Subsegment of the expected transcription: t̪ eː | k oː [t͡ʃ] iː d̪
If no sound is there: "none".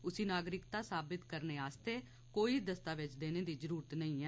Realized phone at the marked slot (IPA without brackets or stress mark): none